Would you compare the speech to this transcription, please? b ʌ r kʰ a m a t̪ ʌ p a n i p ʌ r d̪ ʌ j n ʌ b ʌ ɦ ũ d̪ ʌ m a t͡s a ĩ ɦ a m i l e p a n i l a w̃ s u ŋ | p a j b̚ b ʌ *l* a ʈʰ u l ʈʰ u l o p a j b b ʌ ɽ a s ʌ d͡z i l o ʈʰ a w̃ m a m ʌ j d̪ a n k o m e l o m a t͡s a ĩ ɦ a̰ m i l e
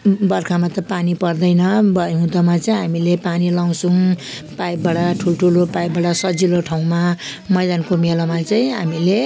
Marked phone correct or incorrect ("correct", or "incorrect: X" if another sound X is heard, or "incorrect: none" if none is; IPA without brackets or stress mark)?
incorrect: ɽ